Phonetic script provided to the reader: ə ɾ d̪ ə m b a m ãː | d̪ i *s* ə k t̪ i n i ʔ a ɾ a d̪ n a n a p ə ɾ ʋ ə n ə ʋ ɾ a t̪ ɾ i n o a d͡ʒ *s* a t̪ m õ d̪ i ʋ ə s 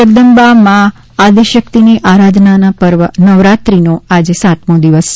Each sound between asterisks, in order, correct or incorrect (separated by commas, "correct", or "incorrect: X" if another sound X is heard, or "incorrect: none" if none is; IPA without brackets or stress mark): incorrect: ʃ, correct